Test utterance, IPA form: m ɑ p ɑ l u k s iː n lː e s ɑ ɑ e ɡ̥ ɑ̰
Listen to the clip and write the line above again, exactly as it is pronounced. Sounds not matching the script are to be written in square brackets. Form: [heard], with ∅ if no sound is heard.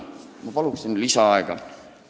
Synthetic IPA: m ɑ p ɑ l u k s [i] n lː [i] s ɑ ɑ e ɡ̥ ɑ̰